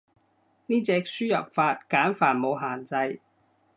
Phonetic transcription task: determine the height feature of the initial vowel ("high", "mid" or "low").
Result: high